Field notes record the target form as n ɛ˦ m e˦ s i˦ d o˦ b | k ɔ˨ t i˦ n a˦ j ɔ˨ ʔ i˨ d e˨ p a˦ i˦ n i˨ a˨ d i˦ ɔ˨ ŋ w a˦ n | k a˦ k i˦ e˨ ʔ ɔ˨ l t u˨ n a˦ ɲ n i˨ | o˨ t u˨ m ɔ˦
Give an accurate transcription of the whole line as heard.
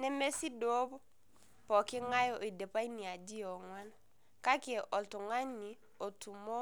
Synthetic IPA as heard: n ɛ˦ m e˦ s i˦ d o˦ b | p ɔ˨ k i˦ ŋ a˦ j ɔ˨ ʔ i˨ d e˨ p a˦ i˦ n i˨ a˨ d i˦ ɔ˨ ŋ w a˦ n | k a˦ k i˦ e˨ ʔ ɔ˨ l t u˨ ŋ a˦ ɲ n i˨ | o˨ t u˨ m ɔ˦